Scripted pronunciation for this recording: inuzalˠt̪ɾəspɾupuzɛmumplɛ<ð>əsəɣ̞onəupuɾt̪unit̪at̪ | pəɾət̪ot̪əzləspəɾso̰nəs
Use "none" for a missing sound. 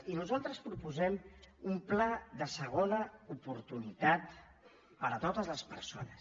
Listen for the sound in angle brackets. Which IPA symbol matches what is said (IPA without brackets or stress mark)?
ð